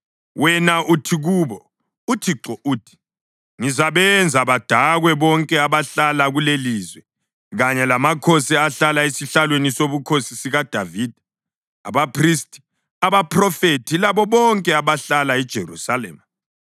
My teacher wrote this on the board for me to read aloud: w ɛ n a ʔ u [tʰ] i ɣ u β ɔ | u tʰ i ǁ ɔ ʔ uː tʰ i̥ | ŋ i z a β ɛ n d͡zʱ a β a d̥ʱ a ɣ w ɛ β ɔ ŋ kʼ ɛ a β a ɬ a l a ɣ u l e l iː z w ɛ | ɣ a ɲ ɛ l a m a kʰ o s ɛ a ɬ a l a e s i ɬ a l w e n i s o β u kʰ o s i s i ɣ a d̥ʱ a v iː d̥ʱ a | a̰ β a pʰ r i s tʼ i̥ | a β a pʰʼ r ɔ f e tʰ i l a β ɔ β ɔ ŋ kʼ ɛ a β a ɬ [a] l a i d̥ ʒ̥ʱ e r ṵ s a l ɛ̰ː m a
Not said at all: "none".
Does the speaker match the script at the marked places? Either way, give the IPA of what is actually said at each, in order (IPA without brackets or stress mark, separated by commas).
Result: tʰ, a